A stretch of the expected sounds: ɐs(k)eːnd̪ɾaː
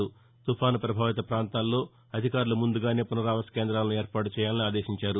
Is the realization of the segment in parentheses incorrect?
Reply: no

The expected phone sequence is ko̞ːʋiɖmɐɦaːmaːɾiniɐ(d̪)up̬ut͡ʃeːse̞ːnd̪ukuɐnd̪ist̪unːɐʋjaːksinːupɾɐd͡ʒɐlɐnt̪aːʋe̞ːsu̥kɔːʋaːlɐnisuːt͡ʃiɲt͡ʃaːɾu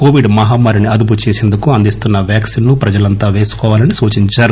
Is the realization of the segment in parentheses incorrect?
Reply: no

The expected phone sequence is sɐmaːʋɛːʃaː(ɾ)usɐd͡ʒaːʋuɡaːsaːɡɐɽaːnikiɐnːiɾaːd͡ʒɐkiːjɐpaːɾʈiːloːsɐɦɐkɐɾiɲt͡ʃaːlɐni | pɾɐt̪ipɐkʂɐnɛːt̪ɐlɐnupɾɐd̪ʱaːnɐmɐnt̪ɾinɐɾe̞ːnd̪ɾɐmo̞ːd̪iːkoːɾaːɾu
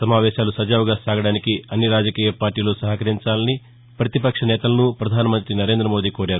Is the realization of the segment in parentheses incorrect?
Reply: yes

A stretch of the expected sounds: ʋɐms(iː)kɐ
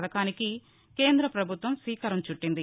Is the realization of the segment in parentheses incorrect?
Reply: no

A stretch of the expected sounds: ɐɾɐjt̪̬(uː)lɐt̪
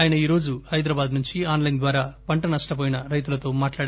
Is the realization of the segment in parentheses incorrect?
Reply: yes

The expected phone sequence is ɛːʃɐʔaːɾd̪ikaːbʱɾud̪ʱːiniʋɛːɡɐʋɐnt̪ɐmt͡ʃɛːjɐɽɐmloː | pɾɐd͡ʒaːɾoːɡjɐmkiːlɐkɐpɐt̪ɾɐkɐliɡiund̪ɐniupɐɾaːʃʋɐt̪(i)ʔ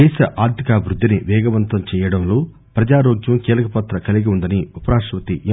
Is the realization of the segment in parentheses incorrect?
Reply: no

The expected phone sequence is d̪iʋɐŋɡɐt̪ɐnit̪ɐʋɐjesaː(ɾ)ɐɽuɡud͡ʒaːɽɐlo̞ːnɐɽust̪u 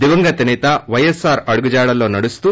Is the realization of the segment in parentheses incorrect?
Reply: no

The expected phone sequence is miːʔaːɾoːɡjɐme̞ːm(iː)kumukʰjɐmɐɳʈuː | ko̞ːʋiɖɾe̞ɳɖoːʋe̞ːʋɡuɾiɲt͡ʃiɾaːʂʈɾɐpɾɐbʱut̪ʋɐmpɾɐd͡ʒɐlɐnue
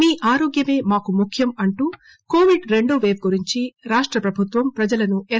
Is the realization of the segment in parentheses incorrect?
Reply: yes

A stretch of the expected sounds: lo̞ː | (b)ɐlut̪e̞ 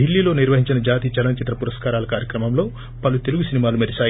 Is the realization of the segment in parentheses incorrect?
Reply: yes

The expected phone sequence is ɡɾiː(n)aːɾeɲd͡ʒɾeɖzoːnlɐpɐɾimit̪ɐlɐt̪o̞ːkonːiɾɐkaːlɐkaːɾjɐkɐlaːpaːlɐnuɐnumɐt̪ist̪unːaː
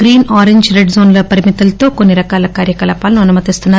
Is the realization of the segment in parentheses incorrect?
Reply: no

